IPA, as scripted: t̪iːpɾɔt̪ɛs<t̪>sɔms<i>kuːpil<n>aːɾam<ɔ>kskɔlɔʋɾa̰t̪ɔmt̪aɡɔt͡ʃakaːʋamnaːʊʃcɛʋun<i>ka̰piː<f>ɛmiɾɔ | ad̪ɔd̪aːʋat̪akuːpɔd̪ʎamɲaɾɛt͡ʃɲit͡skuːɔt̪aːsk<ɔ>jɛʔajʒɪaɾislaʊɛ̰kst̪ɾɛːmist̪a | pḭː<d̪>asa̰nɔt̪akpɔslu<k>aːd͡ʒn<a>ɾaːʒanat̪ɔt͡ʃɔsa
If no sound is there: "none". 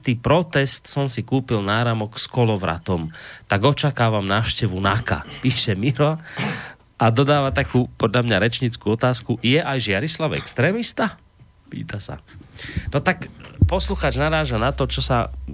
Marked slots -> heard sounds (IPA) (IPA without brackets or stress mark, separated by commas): t̪, i, n, ɔ, a, ʃ, u, t̪, x, a